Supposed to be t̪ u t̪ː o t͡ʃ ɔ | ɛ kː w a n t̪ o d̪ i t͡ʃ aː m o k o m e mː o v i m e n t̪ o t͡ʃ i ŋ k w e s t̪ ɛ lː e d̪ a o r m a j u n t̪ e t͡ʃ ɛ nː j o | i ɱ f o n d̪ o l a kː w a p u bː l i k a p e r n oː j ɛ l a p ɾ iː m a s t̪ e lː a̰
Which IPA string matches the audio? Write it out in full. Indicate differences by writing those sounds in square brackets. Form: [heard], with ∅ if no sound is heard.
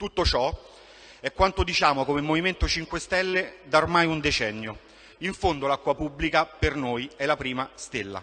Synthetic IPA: t̪ u t̪ː o t͡ʃ ɔ | ɛ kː w a n t̪ o d̪ i t͡ʃ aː m o k o m e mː o v i m e n t̪ o t͡ʃ i ŋ k w e s t̪ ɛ lː e d̪ a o r m a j u n [d̪] e t͡ʃ ɛ nː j o | i ɱ f o n d̪ o l a kː w a p u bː l i k a p e r n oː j ɛ l a p ɾ iː m a s t̪ e lː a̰

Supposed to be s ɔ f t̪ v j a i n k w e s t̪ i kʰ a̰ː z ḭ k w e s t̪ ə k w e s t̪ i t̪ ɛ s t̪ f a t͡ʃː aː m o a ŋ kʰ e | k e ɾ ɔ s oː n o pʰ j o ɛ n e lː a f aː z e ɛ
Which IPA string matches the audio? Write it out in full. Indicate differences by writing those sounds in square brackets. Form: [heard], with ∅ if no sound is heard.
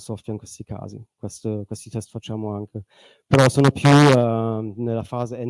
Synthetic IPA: s ɔ f t̪ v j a i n k w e s t̪ i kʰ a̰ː z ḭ k w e s t̪ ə k w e s t̪ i t̪ ɛ s t̪ f a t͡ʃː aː m o a ŋ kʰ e | [p] e ɾ ɔ s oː n o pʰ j [u] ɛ n e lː a f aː z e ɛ

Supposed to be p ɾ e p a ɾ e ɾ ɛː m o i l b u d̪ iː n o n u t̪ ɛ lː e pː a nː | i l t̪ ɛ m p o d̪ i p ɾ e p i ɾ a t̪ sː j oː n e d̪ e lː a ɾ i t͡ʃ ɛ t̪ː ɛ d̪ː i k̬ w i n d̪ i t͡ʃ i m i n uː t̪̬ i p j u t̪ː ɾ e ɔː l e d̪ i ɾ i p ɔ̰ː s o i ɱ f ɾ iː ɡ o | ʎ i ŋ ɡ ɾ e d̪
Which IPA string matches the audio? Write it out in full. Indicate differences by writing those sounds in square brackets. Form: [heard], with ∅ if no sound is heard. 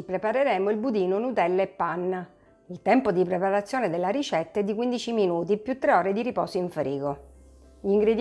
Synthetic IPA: p ɾ e p a ɾ e ɾ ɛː m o i l b u d̪ iː n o n u t̪ ɛ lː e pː a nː | i l t̪ ɛ m p o d̪ i p ɾ e p [a] ɾ a t̪ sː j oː n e d̪ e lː a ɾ i t͡ʃ ɛ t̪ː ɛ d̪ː i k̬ w i n d̪ i t͡ʃ i m i n uː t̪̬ i p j u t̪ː ɾ e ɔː [ɾ] e d̪ i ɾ i p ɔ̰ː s o i ɱ f ɾ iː ɡ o | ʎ i ŋ ɡ ɾ e d̪

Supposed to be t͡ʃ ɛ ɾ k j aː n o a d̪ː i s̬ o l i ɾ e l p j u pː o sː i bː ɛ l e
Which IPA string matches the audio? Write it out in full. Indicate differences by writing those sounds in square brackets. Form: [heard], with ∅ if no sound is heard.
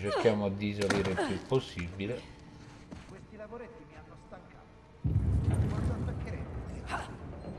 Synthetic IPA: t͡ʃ [e] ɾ k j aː [m] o a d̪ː i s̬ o l [iː] ɾ e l p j u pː o sː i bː [i] l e

